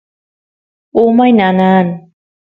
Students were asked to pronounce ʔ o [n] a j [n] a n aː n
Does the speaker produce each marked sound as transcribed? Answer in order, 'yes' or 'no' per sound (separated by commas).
no, yes